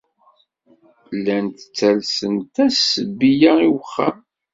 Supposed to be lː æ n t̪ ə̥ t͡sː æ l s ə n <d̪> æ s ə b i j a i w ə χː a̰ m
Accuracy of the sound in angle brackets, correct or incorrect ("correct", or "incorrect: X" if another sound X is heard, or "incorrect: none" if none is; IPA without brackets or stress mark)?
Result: incorrect: t̪